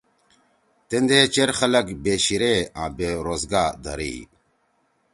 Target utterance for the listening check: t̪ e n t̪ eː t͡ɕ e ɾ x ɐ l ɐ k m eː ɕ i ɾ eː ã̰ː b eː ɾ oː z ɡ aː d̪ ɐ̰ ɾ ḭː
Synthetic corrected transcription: t̪ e n d̪ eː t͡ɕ e ɾ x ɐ l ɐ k b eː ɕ i ɾ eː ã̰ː b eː ɾ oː z ɡ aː d̪ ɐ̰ ɾ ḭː